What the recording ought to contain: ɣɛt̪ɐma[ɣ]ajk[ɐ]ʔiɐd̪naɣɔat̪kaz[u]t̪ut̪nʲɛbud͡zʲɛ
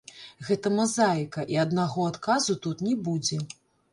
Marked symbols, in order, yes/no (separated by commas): no, yes, yes